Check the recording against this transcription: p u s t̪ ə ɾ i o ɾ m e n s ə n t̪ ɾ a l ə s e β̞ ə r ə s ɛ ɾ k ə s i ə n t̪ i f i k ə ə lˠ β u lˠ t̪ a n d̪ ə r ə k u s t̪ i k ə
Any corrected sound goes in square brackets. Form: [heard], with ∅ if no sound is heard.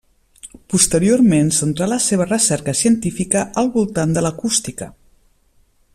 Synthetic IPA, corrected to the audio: p u s t̪ ə ɾ i o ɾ m e n s ə n t̪ ɾ a l ə s e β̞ ə r ə s ɛ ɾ k ə s i ə n t̪ i f i k ə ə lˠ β u lˠ t̪ a n d̪ ə [l] ə k u s t̪ i k ə